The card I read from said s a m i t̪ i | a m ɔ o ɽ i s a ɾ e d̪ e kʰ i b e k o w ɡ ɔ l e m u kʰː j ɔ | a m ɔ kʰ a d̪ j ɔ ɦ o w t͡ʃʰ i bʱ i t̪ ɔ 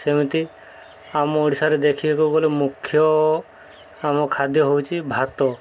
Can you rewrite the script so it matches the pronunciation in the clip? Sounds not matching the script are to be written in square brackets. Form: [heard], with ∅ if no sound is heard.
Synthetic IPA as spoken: s [e] m i t̪ i | a m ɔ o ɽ i s a ɾ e d̪ e kʰ i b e k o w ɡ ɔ l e m u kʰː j ɔ | a m ɔ kʰ a d̪ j ɔ ɦ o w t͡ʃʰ i bʱ [a] t̪ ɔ